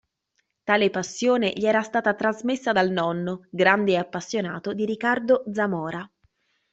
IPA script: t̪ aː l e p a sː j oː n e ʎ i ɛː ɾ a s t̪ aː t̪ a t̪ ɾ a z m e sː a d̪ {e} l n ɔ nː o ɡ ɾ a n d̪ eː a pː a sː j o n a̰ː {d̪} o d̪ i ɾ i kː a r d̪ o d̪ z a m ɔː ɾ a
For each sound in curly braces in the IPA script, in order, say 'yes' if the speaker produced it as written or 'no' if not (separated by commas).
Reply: no, no